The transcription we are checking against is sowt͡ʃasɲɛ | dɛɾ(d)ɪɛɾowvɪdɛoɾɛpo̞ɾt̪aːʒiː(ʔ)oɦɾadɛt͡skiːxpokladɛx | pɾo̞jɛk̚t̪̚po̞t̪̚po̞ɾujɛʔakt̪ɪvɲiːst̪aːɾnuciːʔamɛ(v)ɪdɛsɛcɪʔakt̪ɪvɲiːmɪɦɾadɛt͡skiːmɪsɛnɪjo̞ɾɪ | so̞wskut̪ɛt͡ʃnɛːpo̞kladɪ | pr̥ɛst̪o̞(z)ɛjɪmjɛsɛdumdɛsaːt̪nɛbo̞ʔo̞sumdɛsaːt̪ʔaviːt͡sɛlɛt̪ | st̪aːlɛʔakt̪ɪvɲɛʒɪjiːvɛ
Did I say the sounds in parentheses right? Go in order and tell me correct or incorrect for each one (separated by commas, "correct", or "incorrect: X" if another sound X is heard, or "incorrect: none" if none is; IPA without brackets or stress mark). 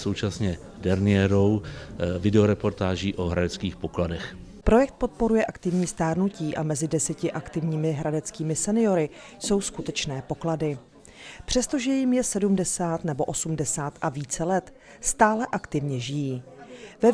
incorrect: n, correct, incorrect: z, incorrect: ʒ